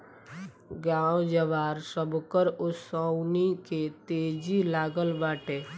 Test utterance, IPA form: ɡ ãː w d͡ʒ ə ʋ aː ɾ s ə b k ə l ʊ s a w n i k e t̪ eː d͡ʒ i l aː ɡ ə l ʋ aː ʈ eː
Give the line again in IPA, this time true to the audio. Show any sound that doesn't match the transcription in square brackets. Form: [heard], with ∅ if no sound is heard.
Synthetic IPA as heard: ɡ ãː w d͡ʒ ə ʋ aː ɾ s ə b k ə [ɾ] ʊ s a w n i k e t̪ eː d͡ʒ i l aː ɡ ə l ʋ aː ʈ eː

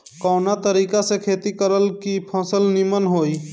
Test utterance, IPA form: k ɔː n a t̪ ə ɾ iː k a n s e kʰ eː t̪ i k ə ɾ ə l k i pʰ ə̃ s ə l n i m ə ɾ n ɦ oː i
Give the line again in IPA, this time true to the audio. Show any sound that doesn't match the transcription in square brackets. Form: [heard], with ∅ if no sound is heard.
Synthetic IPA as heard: k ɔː n a t̪ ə ɾ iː k a [∅] s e kʰ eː t̪ i k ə ɾ ə l k i pʰ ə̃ s ə l n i m ə [∅] n ɦ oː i

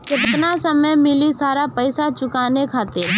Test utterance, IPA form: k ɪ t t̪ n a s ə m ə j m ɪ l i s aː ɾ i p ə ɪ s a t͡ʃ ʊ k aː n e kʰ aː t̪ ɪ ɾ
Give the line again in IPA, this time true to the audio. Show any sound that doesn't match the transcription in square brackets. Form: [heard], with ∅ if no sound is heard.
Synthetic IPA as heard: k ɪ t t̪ n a s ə m ə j m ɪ l i s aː ɾ [a] p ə ɪ s a t͡ʃ ʊ k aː n e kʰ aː t̪ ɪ ɾ

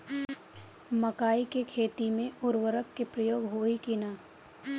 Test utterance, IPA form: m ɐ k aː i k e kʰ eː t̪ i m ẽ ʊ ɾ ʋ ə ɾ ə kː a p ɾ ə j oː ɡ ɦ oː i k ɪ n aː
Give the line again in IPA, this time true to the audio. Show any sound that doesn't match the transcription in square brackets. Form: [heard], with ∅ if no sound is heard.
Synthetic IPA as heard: m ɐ k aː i k e kʰ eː t̪ i m ẽ ʊ ɾ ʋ ə ɾ ə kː [e] p ɾ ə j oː ɡ ɦ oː i k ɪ n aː

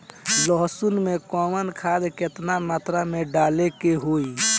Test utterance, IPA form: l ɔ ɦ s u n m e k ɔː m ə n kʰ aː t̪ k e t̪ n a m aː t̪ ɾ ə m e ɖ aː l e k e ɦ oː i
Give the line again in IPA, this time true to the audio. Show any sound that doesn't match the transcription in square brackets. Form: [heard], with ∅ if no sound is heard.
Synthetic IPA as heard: l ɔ ɦ s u n m e k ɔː m ə n kʰ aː [d̪] k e t̪ n a m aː t̪ ɾ [a] m e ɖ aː l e k e ɦ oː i

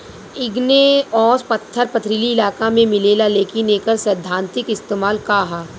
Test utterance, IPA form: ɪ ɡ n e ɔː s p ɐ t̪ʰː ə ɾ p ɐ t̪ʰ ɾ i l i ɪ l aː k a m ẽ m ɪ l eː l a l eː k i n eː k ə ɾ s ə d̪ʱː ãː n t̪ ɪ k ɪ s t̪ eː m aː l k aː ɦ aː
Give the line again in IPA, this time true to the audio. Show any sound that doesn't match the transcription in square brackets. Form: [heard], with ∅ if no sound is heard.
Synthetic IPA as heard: ɪ ɡ n e ɔː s p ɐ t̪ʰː ə ɾ p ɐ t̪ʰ ɾ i l i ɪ l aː k a m ẽ m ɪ l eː l a l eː k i n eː k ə ɾ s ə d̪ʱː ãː n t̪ ɪ k ɪ s t̪ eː m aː l k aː ɦ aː

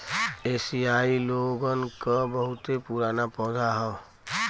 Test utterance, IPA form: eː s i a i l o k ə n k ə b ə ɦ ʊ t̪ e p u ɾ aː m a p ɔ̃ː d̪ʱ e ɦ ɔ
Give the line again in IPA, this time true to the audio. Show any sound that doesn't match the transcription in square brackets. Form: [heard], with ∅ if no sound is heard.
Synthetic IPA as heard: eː s i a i l o [ɡ] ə n k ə b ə ɦ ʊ t̪ e p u ɾ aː [n] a p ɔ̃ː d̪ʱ [a] ɦ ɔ

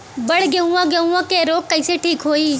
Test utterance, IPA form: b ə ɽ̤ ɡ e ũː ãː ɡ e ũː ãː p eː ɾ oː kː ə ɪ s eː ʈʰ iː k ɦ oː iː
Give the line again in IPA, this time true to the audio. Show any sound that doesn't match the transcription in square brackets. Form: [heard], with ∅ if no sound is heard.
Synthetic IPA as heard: b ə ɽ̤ ɡ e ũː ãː ɡ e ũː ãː [k] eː ɾ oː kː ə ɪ s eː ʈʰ iː k ɦ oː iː

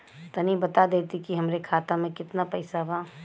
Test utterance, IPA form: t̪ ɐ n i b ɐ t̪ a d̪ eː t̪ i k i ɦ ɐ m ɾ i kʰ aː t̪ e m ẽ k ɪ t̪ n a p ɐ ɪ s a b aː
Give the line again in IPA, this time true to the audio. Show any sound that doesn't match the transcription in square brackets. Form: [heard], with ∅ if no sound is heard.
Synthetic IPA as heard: t̪ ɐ n i b ɐ t̪ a d̪ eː t̪ i k i ɦ ɐ m ɾ [e] kʰ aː t̪ [a] m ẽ k ɪ t̪ n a p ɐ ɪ s a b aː

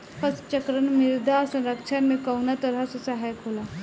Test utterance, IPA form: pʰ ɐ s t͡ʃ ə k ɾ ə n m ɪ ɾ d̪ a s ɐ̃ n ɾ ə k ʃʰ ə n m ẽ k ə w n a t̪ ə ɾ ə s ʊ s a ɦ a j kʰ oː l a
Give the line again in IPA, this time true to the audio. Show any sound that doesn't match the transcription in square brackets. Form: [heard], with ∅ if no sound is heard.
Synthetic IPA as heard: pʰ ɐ s t͡ʃ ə k ɾ ə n m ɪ ɾ d̪ a s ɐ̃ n ɾ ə k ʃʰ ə n m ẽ k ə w n a t̪ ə ɾ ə s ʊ s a ɦ a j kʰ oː l a

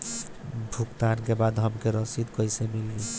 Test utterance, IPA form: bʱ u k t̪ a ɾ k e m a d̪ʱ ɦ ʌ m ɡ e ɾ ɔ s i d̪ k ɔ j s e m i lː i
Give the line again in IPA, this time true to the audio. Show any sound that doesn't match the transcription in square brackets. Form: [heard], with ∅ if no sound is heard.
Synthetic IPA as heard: bʱ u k t̪ a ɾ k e [b] a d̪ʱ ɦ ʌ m [k] e ɾ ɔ s i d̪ k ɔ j s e m i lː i

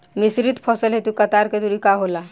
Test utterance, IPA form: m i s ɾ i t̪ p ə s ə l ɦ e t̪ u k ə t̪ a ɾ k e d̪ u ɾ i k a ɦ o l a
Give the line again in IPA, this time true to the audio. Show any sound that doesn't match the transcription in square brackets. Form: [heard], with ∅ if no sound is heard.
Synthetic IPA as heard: m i s ɾ i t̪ [pʰ] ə s ə l ɦ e t̪ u k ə t̪ a ɾ k e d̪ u ɾ i k a ɦ o l a

